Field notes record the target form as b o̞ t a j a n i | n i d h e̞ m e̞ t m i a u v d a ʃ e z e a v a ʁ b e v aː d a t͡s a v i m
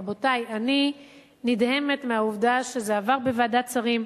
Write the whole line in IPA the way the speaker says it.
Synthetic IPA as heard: b o̞ t a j a n i | n i d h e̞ m e̞ t m e a u v d a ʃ e z e a v a ʁ b e v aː d a t͡s a ʁ i m